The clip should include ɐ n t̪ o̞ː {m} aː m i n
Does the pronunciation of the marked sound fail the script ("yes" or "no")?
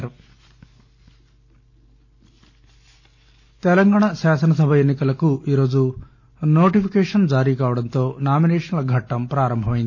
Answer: yes